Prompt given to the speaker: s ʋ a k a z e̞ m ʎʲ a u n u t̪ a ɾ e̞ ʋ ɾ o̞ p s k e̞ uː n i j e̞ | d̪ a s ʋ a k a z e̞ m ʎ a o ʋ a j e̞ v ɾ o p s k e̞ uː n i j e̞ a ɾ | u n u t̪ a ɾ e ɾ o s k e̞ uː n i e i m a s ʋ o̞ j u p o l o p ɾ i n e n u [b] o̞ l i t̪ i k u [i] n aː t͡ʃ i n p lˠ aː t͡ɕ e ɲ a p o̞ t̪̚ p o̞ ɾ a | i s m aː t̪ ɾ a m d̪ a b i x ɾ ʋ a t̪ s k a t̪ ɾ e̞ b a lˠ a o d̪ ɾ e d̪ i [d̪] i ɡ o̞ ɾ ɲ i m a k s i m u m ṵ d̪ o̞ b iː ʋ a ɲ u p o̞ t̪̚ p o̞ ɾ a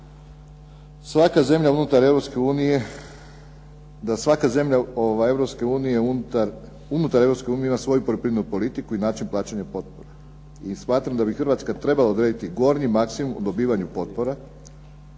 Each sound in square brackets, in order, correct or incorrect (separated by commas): incorrect, correct, incorrect